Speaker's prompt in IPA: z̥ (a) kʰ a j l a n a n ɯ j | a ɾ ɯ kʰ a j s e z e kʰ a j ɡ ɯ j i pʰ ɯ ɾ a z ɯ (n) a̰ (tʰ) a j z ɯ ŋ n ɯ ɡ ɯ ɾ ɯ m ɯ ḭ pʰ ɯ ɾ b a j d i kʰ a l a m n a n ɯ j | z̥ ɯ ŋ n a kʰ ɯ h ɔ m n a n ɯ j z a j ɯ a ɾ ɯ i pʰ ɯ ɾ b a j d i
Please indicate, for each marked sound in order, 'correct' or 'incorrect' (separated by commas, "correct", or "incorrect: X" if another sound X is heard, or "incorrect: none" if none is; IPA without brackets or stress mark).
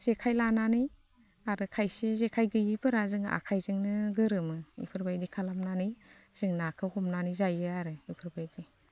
incorrect: e, incorrect: ŋ, incorrect: kʰ